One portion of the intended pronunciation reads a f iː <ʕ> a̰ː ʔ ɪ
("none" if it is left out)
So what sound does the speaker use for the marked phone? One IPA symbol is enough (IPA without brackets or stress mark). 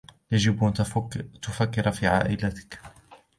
ʕ